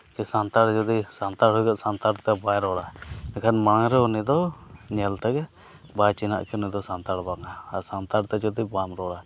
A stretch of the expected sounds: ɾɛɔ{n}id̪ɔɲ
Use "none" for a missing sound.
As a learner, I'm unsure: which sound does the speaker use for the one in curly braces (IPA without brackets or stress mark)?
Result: n